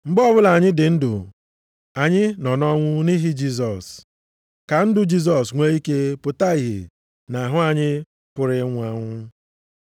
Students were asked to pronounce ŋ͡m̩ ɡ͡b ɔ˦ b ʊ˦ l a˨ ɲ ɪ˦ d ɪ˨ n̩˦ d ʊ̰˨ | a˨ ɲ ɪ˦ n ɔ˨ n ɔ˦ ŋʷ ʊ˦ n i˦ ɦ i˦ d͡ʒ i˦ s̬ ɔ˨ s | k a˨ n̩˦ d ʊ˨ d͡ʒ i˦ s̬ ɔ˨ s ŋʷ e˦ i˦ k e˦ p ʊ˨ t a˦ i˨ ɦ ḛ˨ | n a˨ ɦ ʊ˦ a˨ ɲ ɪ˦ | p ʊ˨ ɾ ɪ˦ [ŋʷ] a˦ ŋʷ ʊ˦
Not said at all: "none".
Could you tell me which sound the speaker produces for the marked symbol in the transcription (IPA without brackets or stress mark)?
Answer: ŋʷ